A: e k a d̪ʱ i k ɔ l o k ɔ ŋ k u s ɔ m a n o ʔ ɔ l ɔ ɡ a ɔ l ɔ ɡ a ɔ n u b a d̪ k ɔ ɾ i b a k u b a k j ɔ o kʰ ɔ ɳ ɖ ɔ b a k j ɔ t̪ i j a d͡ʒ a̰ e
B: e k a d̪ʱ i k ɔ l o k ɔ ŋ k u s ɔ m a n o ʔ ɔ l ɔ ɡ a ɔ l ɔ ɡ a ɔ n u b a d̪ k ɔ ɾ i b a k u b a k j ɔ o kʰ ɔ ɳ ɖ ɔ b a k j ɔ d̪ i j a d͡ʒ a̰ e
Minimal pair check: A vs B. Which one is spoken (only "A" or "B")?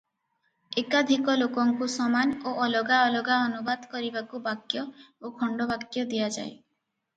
B